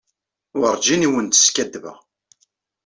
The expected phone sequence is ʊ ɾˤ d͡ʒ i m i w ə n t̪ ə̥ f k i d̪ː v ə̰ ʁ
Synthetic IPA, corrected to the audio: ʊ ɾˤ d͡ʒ i n i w ə n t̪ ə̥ s k æ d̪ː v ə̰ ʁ